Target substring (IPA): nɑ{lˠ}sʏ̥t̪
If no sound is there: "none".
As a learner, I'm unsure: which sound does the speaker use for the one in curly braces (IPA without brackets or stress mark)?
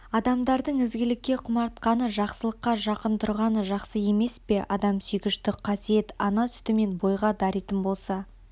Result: none